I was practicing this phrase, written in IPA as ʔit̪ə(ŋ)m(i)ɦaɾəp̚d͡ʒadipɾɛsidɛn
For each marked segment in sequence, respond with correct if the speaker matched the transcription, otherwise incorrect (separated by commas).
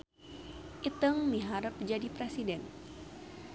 correct, correct